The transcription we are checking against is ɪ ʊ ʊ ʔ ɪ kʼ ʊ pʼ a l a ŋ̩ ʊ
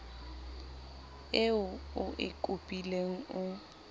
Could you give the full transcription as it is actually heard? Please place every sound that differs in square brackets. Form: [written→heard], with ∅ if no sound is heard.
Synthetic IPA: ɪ ʊ ʊ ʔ ɪ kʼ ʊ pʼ [a→i] l [a→e] ŋ̩ ʊ